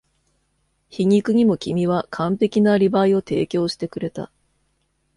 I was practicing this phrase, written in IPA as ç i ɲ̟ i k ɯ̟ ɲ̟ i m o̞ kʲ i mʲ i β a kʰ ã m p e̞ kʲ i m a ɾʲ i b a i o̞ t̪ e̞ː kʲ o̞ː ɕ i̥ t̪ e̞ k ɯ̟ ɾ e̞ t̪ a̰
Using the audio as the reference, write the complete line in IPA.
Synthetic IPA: ç i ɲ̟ i k ɯ̟ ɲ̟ i m o̞ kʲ i mʲ i β a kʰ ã m p e̞ kʲ i n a ɾʲ i b a i o̞ t̪ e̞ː kʲ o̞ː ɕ i̥ t̪ e̞ k ɯ̟ ɾ e̞ t̪ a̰